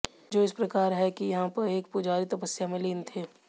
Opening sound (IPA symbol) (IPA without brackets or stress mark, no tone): d͡ʒ